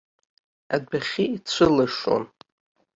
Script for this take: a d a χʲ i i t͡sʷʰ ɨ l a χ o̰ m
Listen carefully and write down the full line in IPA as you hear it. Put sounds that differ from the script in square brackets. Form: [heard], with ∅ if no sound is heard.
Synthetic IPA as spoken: a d a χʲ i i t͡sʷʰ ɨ l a [ʂ] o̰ [n]

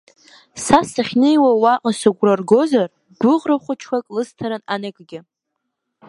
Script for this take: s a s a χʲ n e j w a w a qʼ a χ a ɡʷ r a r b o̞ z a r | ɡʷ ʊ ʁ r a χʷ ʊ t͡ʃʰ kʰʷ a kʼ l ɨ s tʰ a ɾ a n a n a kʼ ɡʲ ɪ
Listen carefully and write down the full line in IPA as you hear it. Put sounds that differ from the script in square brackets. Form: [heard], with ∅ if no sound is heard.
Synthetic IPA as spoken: s a s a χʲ n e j w a w a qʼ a [s] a ɡʷ r a r [ɡ] o̞ z a r | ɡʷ ʊ ʁ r a χʷ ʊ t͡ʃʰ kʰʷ a kʼ l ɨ s tʰ a ɾ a n a n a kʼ ɡʲ ɪ

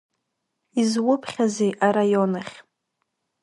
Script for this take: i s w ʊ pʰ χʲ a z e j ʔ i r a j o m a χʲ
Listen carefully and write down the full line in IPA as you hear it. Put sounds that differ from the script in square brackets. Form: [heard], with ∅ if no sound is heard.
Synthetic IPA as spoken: i [z] w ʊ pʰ χʲ a z e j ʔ [a] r a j o [n] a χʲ

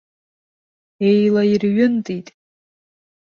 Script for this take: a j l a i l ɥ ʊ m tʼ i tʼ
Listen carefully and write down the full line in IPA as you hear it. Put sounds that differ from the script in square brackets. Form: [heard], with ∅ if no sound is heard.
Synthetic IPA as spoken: [e] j l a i [r] ɥ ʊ [n] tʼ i tʼ

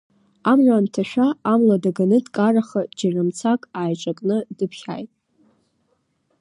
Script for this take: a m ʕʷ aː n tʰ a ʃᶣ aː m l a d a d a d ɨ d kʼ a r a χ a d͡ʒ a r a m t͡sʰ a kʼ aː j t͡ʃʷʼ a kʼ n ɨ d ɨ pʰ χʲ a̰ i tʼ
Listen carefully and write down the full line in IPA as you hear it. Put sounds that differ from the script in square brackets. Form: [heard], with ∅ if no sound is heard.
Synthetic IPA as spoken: a m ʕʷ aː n tʰ a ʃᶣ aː m l a d a [ɡ] a [n] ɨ d kʼ a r a χ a d͡ʒ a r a m t͡sʰ a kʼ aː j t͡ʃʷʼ a kʼ n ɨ d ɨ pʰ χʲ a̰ [j] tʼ

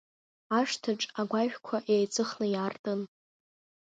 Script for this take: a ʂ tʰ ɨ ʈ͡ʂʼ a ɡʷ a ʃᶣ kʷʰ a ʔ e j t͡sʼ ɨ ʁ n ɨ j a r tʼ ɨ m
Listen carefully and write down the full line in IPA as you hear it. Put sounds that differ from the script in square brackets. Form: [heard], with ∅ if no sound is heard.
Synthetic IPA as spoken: a ʂ tʰ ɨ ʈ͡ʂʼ a ɡʷ a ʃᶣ kʷʰ a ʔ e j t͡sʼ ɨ [χ] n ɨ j a r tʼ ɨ [n]

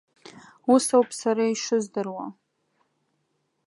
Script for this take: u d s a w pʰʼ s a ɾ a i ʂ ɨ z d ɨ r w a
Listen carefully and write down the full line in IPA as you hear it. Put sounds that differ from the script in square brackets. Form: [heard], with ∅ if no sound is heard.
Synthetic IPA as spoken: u [∅] s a w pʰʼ s a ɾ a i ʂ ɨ z d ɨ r w a

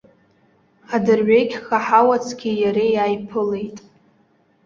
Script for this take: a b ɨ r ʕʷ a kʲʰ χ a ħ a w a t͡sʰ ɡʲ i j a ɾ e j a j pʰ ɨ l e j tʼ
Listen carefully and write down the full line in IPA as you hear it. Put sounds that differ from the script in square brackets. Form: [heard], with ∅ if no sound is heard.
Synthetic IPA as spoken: a [d] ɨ r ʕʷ [e] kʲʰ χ a ħ a w a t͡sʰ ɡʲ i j a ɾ e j a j pʰ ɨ l e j tʼ

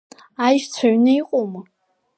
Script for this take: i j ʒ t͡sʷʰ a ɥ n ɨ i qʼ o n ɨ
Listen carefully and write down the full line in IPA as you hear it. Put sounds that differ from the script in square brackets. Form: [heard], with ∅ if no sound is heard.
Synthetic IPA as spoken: [a] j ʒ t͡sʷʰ a ɥ n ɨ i qʼ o [m] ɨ

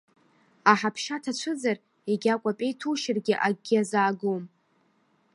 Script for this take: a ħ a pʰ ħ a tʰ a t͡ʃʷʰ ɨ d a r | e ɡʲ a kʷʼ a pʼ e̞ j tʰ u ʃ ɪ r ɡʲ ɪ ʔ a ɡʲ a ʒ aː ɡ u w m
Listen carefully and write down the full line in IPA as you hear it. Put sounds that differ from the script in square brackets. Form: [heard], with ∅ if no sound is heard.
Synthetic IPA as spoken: a ħ a pʰ [ʃ] a tʰ a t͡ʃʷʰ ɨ [d͡z] a r | e ɡʲ a kʷʼ a pʼ e̞ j tʰ u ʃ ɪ r ɡʲ ɪ ʔ a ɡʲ a [z] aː ɡ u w m

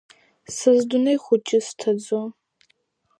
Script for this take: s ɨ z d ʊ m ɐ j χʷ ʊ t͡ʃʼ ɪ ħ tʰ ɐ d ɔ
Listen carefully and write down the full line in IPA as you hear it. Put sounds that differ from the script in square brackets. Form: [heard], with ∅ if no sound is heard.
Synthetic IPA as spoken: s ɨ z d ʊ [n] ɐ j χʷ ʊ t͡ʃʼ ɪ [s] tʰ ɐ [d͡z] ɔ

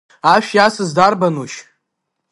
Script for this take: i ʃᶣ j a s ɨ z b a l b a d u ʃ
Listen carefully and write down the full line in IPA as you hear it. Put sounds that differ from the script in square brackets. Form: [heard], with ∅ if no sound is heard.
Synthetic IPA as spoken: [a] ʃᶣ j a s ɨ z [d] a [r] b a [n] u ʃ

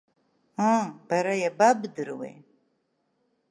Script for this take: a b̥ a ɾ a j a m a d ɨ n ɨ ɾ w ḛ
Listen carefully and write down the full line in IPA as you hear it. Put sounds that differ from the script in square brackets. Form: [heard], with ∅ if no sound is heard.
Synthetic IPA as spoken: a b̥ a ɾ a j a [b] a [b] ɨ [d] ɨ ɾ w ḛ

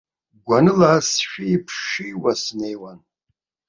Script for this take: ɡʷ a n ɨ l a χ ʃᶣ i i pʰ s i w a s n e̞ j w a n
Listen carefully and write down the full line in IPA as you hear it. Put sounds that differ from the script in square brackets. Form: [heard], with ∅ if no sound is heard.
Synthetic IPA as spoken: ɡʷ a n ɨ l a [s] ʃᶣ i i pʰ [ʃ] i w a s n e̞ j w a n

